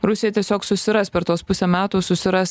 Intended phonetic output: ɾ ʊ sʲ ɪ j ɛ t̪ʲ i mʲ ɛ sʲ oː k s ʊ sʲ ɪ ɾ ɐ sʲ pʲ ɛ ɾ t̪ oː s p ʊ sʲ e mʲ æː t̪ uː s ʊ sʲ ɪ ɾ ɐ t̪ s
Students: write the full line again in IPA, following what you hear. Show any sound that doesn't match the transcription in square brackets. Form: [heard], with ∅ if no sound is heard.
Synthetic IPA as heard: ɾ ʊ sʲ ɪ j ɛ t̪ʲ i [∅] ɛ sʲ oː k s ʊ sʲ ɪ ɾ ɐ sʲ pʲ ɛ ɾ t̪ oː s p ʊ sʲ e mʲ æː t̪ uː s ʊ sʲ ɪ ɾ ɐ [∅] s